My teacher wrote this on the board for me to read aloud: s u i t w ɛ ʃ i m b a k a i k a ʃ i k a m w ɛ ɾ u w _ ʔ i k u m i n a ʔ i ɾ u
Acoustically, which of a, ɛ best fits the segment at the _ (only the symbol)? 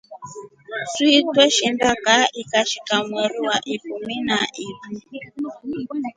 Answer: a